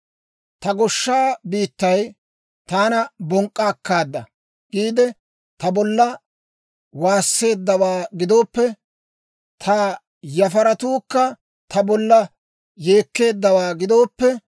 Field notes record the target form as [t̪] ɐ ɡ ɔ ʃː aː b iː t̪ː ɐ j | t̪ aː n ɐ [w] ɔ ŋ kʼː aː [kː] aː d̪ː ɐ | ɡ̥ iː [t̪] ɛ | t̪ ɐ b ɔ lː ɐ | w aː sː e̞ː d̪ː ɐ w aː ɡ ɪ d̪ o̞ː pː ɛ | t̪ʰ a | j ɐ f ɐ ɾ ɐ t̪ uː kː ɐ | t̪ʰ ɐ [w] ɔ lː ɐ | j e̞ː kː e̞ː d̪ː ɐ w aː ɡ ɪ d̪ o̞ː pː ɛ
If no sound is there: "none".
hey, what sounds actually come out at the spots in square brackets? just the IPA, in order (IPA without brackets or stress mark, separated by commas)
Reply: t̪, b, kː, d̪, b